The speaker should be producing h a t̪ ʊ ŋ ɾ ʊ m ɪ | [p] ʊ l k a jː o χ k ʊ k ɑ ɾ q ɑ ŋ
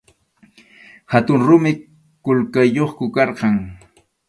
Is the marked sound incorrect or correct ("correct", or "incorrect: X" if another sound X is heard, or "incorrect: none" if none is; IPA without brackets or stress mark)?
incorrect: k